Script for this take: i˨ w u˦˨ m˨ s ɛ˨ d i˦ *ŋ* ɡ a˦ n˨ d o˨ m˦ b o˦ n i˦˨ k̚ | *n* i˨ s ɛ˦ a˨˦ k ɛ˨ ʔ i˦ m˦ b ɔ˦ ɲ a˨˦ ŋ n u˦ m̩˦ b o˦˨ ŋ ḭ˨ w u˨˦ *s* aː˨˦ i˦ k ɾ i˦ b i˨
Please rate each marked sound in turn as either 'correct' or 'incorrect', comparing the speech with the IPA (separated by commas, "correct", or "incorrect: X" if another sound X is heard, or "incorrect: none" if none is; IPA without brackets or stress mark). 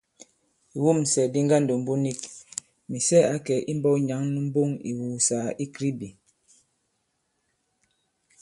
correct, incorrect: m, correct